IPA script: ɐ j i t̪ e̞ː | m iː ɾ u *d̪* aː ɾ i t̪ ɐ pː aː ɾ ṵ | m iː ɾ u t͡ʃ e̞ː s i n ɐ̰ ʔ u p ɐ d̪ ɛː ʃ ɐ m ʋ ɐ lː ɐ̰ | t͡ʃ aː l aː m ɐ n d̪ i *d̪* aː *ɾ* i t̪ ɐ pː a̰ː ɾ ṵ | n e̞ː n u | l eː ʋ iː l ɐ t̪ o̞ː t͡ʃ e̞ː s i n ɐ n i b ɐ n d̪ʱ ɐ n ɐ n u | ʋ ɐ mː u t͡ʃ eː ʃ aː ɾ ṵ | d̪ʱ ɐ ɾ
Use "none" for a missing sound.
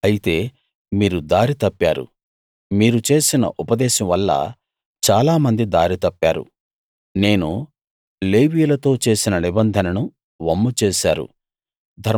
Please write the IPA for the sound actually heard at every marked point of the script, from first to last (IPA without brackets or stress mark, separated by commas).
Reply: d̪, d̪, ɾ